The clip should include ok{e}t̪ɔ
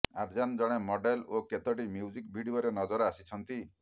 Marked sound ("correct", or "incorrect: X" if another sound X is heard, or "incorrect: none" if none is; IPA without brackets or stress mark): correct